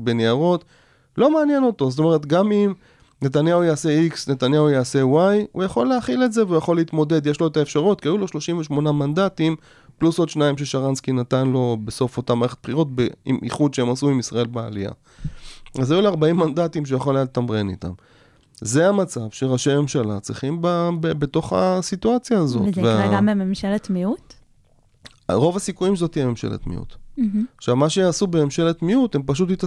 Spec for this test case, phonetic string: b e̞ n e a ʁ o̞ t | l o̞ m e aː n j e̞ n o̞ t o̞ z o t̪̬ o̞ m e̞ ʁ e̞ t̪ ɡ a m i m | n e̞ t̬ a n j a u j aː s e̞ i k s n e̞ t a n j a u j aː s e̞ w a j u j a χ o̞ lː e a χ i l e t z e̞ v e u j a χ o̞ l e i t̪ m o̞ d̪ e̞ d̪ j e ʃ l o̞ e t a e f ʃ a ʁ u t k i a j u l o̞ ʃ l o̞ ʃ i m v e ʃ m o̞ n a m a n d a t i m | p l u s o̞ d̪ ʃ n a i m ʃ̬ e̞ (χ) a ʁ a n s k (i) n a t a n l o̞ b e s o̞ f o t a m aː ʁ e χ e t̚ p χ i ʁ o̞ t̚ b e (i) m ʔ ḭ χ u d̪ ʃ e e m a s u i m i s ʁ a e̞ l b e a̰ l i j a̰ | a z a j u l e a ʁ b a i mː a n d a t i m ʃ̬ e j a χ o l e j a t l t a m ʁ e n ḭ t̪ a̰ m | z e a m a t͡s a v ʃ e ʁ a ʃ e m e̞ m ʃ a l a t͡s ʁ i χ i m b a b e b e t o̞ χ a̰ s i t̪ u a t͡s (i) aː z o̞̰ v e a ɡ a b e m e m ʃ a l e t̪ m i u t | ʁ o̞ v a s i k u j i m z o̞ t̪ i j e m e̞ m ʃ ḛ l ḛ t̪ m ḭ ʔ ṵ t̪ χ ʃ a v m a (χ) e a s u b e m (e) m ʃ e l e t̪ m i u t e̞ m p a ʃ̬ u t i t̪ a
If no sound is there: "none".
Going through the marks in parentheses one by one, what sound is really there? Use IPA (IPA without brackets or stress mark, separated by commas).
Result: ʃ, i, i, j, ʃ, e